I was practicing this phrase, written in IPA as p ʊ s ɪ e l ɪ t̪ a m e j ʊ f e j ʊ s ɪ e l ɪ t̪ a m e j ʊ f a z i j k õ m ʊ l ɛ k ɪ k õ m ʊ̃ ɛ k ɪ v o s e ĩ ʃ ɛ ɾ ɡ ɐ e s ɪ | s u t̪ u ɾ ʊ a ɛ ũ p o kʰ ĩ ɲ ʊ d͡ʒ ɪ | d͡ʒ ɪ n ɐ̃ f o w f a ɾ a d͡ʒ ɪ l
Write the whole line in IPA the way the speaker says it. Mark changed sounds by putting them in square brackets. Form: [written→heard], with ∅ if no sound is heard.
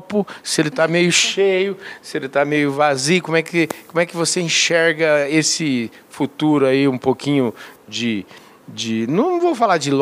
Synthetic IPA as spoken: p ʊ s ɪ e l ɪ t̪ a m e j ʊ [f→ʃ] e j ʊ s ɪ e l ɪ t̪ a m e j ʊ [f→v] a z i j k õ m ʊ [l→∅] ɛ k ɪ k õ m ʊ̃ ɛ k ɪ v o s e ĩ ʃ ɛ ɾ ɡ ɐ e s ɪ | [s→f] u t̪ u ɾ ʊ a [ɛ→i] ũ p o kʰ ĩ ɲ ʊ d͡ʒ ɪ | d͡ʒ ɪ n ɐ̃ [f→v] o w f a [ɾ→l] a d͡ʒ ɪ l